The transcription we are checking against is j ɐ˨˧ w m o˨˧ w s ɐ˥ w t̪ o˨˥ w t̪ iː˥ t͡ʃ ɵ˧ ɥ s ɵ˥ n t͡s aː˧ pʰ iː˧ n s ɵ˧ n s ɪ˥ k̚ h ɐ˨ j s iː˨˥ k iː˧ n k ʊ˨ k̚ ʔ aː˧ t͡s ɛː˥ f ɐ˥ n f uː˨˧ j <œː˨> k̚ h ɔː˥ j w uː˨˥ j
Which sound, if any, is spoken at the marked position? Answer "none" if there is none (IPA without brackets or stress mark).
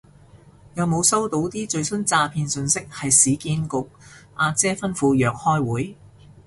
œː˨